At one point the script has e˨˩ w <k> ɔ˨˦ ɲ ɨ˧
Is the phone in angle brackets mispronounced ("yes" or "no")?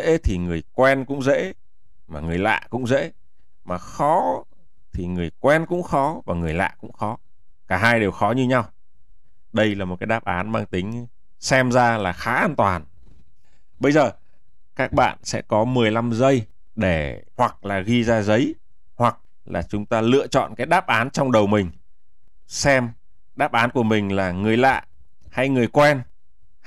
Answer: yes